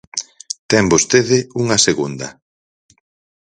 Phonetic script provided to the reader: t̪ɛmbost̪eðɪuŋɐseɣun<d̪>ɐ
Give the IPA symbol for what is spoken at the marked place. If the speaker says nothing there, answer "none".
d̪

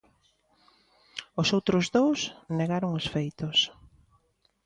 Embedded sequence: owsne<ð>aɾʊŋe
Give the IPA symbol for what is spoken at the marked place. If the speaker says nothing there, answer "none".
ɣ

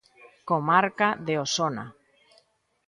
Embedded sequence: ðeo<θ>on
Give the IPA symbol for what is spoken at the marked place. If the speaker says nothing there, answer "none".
s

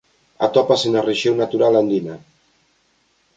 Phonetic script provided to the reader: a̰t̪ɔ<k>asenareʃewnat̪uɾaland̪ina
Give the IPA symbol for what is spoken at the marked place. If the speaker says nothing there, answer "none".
p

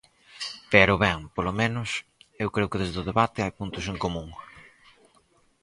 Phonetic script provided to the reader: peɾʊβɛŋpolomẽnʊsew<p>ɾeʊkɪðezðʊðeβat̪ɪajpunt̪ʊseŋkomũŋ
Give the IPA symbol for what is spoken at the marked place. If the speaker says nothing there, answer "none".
k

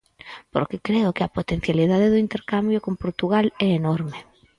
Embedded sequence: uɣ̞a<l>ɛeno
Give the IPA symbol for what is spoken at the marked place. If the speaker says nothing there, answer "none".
l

